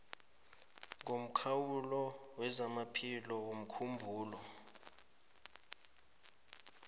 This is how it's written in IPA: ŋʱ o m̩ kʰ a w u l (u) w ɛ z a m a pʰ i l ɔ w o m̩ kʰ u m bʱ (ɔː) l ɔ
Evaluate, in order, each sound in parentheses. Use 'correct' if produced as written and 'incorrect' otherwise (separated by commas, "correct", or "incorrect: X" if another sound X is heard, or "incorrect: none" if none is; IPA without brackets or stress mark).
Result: incorrect: ɔ, incorrect: uː